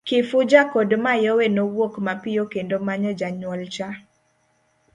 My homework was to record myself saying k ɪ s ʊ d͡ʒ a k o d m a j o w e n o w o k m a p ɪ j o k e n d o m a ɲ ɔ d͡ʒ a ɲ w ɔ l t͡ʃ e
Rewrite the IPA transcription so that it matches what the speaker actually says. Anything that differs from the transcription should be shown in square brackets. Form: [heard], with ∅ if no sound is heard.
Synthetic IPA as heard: k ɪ [f] ʊ d͡ʒ a k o d m a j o w e n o w o k m a p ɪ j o k e n d o m a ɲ ɔ d͡ʒ a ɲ w ɔ l t͡ʃ [a]